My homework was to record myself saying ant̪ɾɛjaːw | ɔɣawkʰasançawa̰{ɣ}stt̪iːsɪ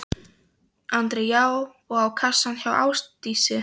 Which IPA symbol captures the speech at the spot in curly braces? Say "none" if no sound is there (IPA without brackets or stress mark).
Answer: w